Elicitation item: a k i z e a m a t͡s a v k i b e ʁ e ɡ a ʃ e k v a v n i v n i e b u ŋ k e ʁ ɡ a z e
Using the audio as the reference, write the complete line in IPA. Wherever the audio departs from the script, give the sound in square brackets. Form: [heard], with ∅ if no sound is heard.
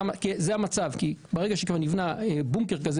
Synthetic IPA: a k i z e a m a t͡s a v k i b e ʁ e ɡ a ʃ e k v a [ʁ] n i v n [a] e b u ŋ k e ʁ [k] a z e

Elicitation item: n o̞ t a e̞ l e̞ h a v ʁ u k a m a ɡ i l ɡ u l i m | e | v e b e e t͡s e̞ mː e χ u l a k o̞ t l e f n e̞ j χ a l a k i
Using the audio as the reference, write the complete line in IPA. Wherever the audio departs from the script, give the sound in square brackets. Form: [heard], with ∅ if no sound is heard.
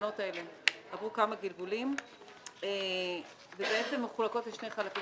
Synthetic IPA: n o̞ t a e̞ l e̞ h a v ʁ u k a m a ɡ i l ɡ u l i m | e | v e b e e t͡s e̞ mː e χ u l a k o̞ t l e [ʃ] n e̞ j χ a l a k i

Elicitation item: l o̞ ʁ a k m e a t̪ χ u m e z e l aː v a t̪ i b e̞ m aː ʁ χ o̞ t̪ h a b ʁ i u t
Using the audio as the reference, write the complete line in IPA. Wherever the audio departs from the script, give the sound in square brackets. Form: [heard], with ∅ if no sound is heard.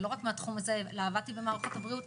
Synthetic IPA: l o̞ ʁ a k m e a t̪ χ u m [a] z e l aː v a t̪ i b e̞ m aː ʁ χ o̞ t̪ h a b ʁ i u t

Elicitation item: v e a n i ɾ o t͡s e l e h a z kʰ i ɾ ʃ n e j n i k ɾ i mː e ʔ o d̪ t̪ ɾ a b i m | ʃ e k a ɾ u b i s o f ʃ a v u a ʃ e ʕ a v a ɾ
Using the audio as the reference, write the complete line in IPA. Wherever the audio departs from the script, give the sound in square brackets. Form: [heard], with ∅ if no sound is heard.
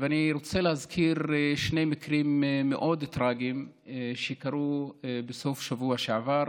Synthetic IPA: v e a n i ɾ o t͡s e l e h a z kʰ i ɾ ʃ n e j [m] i k ɾ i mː e ʔ o d̪ t̪ ɾ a [ɡ] i m | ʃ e k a ɾ u b [e] s o f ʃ a v u a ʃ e ʕ a v a ɾ

